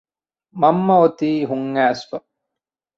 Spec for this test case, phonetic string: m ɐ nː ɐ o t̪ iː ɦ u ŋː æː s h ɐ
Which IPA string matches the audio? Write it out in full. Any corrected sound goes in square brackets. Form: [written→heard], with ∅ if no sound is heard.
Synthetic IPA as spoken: m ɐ [nː→mː] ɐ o t̪ iː ɦ u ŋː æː s [h→f] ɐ